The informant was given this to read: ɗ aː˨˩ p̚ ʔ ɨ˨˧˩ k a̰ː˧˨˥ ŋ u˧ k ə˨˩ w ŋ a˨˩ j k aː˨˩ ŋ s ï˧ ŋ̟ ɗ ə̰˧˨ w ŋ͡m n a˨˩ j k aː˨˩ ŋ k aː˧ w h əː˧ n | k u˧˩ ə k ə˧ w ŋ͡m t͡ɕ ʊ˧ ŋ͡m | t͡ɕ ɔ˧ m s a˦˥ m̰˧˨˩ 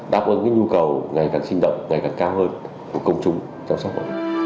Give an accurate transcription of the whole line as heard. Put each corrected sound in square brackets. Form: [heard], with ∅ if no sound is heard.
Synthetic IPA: ɗ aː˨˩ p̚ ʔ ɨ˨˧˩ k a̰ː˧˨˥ [ɲ] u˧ k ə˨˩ w ŋ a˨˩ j k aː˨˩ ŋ s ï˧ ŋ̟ ɗ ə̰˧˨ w ŋ͡m [ŋ] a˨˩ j k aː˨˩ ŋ k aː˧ w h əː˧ n | k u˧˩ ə k ə˧ w ŋ͡m t͡ɕ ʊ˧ ŋ͡m | t͡ɕ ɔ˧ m s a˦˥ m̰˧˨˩